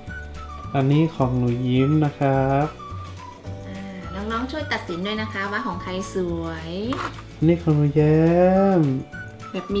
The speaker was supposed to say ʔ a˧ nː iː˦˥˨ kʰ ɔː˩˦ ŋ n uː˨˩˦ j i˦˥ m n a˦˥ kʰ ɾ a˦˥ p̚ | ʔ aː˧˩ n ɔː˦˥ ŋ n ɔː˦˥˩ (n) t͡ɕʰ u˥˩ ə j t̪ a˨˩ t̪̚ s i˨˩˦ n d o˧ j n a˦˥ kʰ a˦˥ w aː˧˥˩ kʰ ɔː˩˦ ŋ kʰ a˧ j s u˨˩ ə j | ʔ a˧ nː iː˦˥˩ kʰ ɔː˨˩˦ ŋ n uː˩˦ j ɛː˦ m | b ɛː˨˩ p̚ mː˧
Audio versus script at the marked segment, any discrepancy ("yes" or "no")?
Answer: yes